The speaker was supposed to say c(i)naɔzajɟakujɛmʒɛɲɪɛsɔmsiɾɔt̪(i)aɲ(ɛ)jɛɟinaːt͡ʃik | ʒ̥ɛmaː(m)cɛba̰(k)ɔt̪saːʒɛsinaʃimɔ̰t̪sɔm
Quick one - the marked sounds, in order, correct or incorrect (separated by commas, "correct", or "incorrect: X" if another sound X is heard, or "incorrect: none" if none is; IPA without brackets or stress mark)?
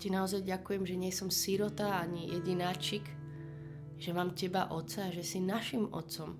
correct, incorrect: a, incorrect: i, correct, incorrect: ʔ